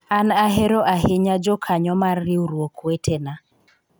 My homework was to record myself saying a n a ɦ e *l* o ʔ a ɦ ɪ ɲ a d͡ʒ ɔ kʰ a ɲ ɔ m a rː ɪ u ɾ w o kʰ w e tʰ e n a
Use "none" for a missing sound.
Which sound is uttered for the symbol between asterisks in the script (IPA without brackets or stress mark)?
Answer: ɾ